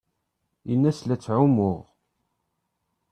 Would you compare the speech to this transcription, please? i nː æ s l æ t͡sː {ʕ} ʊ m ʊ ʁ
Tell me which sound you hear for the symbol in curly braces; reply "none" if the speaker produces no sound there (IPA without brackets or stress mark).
ʕ